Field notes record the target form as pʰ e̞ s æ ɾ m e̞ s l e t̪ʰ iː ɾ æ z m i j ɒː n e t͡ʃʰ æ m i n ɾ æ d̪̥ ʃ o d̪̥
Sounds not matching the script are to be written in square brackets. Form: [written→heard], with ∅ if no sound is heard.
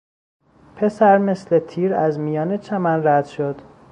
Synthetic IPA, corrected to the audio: pʰ e̞ s æ ɾ m e̞ s l e t̪ʰ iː ɾ æ z m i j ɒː n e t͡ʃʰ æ m [i→æ] n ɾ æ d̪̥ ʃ o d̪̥